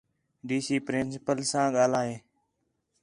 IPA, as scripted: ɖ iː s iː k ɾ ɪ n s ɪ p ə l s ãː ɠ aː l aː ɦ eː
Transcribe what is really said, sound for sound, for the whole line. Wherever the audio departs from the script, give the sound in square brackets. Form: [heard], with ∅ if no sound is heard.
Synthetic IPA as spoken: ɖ iː s iː [p] ɾ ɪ n s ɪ p ə l s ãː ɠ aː l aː ɦ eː

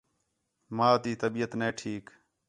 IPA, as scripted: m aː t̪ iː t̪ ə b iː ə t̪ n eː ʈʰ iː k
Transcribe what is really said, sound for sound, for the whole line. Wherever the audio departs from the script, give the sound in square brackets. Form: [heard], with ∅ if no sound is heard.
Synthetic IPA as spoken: m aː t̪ iː t̪ ə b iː ə t̪ n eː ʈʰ iː k

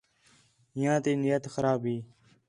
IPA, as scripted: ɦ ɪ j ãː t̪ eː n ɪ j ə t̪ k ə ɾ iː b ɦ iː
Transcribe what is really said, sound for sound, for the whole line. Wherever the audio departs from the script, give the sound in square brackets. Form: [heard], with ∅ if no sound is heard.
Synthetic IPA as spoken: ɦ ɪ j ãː t̪ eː n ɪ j ə t̪ [x] ə ɾ [aː] b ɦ iː

